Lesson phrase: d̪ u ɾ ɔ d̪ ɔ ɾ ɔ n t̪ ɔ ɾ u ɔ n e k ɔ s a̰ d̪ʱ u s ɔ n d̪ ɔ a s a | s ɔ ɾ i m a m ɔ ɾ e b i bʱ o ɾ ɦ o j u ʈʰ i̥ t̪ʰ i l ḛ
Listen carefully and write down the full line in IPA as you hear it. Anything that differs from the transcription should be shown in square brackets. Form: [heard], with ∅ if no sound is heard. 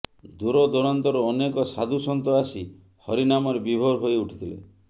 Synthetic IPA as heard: d̪ u ɾ ɔ d̪ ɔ ɾ ɔ n t̪ ɔ ɾ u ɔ n e k ɔ s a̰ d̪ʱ u s ɔ n [t̪] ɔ a s [i] | [h] ɔ ɾ i [n] a m ɔ ɾ e b i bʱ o ɾ ɦ o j u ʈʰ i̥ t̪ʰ i l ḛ